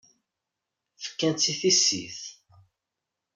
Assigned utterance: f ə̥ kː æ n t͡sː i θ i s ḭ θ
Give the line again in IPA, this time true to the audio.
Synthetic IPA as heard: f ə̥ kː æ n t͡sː i θ i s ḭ θ